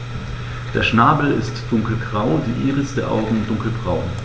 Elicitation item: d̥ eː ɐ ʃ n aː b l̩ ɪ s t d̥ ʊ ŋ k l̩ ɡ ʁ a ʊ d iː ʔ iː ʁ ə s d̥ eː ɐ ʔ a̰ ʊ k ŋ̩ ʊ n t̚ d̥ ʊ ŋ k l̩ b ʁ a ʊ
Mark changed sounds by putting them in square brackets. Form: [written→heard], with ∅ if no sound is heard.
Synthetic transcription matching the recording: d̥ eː ɐ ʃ n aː b l̩ ɪ s t d̥ ʊ ŋ k l̩ ɡ ʁ a ʊ d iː ʔ iː ʁ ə s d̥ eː ɐ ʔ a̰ ʊ [k→ɡ] ŋ̩ ʊ n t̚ d̥ ʊ ŋ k l̩ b ʁ a ʊ